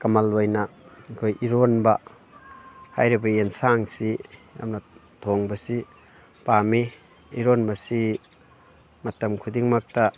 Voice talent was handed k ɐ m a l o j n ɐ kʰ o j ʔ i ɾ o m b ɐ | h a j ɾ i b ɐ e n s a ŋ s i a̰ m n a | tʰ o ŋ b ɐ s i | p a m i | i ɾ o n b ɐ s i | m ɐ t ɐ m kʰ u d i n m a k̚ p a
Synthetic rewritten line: k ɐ m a l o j n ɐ kʰ o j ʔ i ɾ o n b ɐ | h a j ɾ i b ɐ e n s a ŋ s i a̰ m n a | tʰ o ŋ b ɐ s i | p a m i | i ɾ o n b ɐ s i | m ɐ t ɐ m kʰ u d i ŋ m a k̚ t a